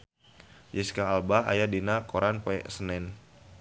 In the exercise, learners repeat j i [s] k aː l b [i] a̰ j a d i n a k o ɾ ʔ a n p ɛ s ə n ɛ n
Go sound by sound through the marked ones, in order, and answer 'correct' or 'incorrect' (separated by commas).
correct, incorrect